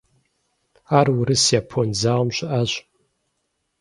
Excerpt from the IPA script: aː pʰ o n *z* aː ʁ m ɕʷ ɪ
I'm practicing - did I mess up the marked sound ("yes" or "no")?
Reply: no